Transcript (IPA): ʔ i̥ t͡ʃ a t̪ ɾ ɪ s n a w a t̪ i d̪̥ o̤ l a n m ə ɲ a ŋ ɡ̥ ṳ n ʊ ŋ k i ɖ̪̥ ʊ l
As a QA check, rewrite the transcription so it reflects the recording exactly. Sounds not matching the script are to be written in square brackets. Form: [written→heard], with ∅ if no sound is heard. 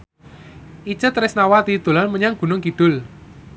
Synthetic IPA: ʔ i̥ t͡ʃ [a→ə] t̪ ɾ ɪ s n a w a t̪ i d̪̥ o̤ l a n m ə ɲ a ŋ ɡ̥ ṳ n ʊ ŋ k i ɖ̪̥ ʊ l